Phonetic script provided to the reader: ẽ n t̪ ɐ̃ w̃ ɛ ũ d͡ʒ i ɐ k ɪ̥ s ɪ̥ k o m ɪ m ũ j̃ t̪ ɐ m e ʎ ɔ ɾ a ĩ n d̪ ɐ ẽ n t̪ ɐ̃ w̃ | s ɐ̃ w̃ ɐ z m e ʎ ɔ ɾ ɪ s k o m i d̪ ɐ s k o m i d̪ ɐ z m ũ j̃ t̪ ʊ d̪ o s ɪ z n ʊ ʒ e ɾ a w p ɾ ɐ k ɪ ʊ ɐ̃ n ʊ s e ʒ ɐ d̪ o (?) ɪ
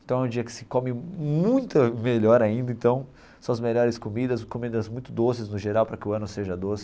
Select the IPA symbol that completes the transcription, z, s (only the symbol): s